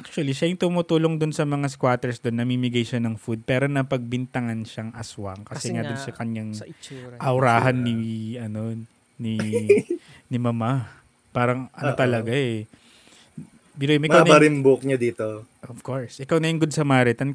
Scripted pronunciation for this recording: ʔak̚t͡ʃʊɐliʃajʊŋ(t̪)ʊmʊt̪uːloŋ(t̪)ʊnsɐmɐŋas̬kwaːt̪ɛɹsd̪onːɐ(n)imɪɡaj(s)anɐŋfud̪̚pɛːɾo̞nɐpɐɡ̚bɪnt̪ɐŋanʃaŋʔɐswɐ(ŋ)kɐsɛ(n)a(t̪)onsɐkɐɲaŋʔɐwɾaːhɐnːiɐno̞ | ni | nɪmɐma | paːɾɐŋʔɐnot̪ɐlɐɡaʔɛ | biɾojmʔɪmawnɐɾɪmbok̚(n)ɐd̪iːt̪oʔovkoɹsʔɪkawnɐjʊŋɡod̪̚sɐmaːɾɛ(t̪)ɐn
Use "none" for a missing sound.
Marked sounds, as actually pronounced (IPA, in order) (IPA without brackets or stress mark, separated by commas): t̪, d̪, m, ʃ, ŋ, ŋ, d̪, ɲ, t̪